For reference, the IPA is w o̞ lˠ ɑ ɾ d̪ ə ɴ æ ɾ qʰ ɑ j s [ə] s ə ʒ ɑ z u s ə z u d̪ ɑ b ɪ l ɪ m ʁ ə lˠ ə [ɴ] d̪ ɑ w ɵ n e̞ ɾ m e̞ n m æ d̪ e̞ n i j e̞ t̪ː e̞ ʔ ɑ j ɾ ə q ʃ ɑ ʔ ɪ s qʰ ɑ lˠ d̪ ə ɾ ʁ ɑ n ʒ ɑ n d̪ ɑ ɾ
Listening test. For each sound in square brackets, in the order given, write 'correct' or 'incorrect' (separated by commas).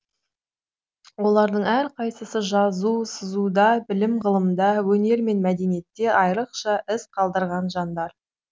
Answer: correct, incorrect